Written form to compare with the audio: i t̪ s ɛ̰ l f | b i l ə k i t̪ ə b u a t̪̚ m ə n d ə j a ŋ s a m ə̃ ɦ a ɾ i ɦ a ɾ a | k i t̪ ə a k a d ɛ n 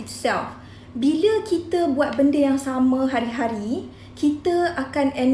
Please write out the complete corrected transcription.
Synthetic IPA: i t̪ s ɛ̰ l f | b i l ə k i t̪ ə b u a t̪̚ b ə n d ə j a ŋ s a m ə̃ ɦ a ɾ i ɦ a ɾ i | k i t̪ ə a k a n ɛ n